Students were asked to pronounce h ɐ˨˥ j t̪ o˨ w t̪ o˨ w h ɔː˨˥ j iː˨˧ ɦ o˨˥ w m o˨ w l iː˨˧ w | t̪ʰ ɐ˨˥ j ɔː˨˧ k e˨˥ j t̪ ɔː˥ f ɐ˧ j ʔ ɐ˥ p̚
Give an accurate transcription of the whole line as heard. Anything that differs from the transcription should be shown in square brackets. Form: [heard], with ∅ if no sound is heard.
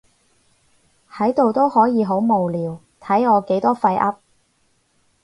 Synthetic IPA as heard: h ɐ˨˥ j t̪ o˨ w t̪ [o˥] w h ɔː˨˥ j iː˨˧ ɦ o˨˥ w m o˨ w l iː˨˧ w | t̪ʰ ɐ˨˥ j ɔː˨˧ k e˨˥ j t̪ ɔː˥ f ɐ˧ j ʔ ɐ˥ p̚

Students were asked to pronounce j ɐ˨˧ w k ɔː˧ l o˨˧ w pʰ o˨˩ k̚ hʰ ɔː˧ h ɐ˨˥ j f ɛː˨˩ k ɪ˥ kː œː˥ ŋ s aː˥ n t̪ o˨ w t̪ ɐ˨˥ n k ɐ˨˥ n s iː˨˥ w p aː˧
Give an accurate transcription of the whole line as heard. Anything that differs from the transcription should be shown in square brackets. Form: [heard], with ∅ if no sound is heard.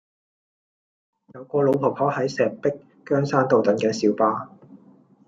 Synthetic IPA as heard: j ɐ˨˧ w k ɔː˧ l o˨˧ w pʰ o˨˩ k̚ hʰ [ɔː˨˥] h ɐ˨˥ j [s] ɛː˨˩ [p] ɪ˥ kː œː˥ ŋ s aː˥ n t̪ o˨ w t̪ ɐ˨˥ n k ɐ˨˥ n s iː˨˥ w p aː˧

